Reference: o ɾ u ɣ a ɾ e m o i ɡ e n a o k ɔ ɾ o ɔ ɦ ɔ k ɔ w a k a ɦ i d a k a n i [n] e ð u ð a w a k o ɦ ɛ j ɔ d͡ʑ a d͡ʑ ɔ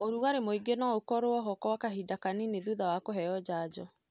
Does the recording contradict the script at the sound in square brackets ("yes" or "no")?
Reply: no